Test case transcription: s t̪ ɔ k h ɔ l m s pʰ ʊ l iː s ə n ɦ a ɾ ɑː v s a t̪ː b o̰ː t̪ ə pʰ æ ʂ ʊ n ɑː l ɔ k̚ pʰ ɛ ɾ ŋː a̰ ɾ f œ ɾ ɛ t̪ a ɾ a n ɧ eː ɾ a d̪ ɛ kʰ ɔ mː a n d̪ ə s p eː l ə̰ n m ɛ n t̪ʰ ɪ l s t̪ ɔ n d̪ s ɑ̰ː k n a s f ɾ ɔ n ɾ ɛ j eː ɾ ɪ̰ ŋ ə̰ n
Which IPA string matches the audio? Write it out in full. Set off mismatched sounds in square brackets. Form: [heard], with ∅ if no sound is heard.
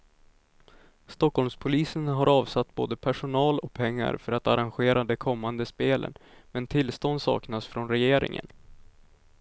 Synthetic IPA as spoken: s t̪ ɔ k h ɔ l m s pʰ ʊ l iː s ə n ɦ a ɾ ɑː v s a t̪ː b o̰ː [d̪] ə pʰ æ ʂ ʊ n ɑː l ɔ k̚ pʰ ɛ [∅] ŋː a̰ ɾ f œ ɾ [a] t̪ a ɾ a n ɧ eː ɾ a d̪ ɛ kʰ ɔ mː a n d̪ ə s p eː l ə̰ n m ɛ n t̪ʰ ɪ l s t̪ ɔ n d̪ s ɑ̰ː k n a s f ɾ ɔ n ɾ ɛ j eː ɾ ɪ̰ ŋ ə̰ n